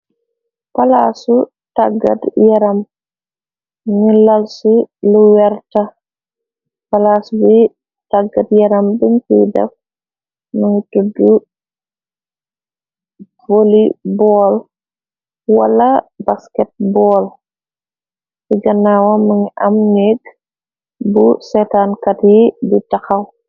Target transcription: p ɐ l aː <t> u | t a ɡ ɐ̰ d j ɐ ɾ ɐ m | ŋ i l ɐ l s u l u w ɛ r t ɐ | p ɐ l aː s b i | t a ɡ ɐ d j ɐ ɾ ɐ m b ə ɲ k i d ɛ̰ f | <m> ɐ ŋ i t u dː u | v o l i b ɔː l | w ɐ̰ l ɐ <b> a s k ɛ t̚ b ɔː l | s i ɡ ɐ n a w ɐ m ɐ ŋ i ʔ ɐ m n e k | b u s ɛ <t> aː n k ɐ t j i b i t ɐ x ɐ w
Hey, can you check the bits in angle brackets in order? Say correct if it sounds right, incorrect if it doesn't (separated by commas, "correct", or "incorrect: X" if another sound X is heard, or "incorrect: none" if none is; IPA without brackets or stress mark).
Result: incorrect: s, correct, correct, correct